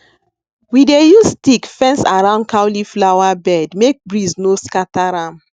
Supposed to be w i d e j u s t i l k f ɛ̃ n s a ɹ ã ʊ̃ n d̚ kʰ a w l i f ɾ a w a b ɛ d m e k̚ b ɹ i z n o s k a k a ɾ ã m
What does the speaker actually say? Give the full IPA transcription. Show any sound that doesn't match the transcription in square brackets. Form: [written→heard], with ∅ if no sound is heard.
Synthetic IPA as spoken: w i d e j u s t i [l→∅] k f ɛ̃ n s a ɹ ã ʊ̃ n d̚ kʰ a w l i f [ɾ→l] a w a b ɛ d m e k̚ b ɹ i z n o s k a [k→t] a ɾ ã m